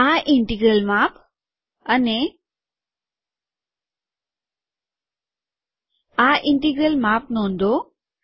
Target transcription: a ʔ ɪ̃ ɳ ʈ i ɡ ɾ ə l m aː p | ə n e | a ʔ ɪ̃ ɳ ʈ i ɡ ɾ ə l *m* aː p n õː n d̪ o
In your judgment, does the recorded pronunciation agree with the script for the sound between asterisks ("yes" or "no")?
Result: yes